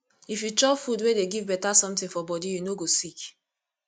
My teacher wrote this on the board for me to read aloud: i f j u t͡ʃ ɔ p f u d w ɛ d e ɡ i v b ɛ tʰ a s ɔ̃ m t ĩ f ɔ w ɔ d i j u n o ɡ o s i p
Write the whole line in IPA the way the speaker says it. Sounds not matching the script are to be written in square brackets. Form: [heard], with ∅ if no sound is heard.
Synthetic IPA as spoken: i f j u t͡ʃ ɔ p f u d w [e] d e ɡ i v b ɛ [t] a s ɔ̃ m t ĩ f ɔ [b] ɔ d i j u n o ɡ o s i [k]

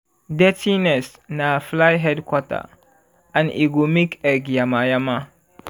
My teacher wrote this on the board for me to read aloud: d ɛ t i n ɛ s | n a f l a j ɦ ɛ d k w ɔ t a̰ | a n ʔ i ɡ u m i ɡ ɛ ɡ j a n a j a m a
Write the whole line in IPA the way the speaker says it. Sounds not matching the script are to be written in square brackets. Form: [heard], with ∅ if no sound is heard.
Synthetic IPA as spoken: d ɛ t i n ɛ s | n a f l a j ɦ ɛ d k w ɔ t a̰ | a n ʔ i ɡ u m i [k] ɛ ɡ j a [m] a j a m a

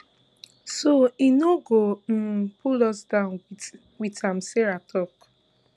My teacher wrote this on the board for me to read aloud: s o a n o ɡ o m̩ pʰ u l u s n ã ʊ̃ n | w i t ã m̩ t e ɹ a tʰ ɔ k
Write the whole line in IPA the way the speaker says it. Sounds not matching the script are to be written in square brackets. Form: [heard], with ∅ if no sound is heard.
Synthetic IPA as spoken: s o [i] n o ɡ o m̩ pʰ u l [ɔ] s [d] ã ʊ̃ n | w i t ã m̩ [s] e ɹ a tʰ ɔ k

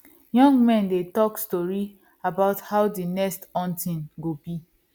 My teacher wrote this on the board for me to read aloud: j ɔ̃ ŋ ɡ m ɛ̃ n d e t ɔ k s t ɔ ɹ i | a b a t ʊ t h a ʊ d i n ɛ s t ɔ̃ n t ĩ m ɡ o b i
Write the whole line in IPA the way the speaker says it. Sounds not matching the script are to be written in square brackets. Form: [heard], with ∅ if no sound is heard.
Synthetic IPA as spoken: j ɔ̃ ŋ ɡ m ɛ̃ n d e t ɔ k s t ɔ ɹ i | a b a [∅] ʊ t h a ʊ d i n ɛ s t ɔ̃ n t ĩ [n] ɡ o b i

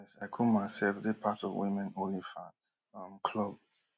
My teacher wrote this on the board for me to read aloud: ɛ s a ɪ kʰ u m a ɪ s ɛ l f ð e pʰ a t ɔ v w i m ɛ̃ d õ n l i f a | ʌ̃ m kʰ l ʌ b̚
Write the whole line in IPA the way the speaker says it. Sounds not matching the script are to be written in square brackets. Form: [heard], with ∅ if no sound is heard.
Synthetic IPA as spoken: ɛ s a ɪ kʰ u m a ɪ s ɛ l f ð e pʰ a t ɔ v w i m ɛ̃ [n] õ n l i f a | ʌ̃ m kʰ l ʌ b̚

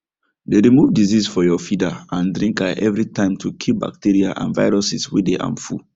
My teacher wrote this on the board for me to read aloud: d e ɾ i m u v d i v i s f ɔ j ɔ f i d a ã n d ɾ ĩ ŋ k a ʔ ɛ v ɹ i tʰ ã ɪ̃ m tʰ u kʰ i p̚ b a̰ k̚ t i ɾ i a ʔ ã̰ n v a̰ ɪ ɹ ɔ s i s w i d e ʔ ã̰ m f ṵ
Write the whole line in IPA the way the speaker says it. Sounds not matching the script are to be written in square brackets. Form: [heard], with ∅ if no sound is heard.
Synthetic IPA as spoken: d e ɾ i m u v d i [z] i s f ɔ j ɔ f i d a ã n d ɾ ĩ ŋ k a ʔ ɛ v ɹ i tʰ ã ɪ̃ m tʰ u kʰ i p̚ b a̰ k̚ t i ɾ i a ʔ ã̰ n v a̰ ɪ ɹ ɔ s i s w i d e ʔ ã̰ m f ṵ

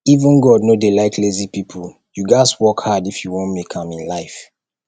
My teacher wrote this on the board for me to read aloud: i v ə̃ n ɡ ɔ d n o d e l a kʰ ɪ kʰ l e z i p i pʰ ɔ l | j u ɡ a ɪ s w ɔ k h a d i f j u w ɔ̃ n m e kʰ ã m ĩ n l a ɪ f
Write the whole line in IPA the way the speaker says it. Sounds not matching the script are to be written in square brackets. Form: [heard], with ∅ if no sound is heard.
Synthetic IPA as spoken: i v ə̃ n ɡ ɔ d n o d e l a [∅] ɪ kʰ l e z i p i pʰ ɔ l | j u ɡ a ɪ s w ɔ k h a d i f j u w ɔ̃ n m e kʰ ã m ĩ n l a ɪ f

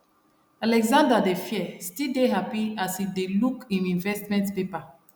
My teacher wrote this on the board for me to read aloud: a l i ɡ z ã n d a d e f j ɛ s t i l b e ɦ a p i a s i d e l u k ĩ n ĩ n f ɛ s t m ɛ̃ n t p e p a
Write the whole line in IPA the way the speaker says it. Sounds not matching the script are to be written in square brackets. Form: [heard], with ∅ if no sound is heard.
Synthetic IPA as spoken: a l [ɛ] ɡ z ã n d a d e f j ɛ s t i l [d] e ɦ a p i a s i d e l u k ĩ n ĩ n [v] ɛ s t m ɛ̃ n t p e p a

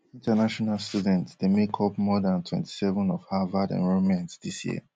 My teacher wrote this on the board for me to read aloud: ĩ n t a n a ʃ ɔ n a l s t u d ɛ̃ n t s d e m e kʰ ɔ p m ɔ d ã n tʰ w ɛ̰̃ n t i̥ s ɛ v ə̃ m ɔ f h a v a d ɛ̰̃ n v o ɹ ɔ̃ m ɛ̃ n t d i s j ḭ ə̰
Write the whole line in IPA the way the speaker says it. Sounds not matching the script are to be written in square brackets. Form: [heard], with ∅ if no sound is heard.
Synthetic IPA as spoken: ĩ n t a n a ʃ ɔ n a l s t u d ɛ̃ n t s d e m e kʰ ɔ p m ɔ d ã n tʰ w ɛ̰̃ n t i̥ s ɛ v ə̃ [n] ɔ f h a v a d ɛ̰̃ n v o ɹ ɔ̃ m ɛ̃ n t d i s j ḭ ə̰

